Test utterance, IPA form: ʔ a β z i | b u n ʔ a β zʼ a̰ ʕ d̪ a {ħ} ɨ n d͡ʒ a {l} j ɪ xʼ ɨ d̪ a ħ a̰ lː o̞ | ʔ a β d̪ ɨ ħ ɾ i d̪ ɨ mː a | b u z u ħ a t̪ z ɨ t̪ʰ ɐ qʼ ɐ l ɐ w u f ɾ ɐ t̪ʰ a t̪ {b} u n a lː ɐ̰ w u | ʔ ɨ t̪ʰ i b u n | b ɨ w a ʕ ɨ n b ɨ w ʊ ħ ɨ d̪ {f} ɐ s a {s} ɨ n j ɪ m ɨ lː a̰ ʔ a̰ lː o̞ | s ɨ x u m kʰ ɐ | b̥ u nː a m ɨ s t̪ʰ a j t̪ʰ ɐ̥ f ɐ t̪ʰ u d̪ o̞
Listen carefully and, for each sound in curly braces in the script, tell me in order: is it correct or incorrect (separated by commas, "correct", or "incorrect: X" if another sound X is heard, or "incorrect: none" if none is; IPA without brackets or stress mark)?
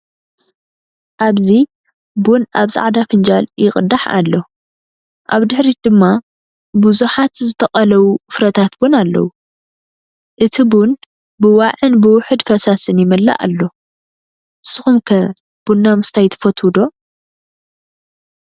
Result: incorrect: f, correct, correct, correct, correct